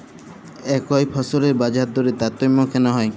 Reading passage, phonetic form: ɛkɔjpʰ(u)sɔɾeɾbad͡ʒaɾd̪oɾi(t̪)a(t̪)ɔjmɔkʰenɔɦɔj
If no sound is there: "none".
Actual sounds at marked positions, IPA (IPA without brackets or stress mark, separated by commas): ɔ, t̪, t̪